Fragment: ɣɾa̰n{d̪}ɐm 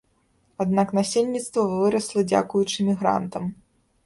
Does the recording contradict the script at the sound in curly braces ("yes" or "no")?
yes